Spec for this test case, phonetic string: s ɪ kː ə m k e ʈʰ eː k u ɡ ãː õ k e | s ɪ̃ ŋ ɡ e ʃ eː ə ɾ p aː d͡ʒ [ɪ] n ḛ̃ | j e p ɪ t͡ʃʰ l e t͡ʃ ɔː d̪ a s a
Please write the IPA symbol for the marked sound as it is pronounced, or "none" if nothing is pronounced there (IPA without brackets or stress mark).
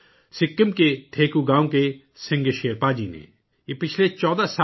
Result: i